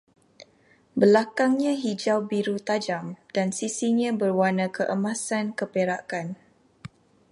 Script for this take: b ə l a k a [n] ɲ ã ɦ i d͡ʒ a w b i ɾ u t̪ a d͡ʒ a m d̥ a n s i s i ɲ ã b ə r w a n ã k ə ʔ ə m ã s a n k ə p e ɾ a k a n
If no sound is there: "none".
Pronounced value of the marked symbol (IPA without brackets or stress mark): ŋ